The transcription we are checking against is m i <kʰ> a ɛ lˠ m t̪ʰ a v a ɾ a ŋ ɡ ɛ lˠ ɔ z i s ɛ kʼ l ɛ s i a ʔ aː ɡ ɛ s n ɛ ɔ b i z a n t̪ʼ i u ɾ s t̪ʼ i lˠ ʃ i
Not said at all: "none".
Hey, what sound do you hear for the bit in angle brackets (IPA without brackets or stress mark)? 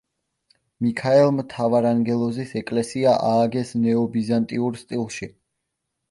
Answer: kʰ